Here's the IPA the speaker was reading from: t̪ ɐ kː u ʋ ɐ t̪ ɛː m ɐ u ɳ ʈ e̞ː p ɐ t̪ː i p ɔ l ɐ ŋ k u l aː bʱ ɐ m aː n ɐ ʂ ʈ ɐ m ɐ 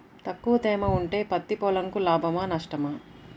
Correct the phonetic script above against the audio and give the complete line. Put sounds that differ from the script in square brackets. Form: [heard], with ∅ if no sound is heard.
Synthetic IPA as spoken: t̪ ɐ kː u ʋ ɐ t̪ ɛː m ɐ u ɳ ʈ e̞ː p ɐ t̪ː i p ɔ l ɐ ŋ k u l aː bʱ ɐ m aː n ɐ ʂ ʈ ɐ m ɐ